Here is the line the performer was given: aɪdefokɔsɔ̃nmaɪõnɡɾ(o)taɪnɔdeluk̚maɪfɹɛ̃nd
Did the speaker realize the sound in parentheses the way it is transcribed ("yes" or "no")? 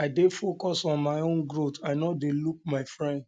yes